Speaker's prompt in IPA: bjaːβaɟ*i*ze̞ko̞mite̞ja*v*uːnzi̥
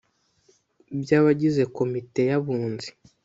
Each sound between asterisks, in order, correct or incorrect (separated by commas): correct, incorrect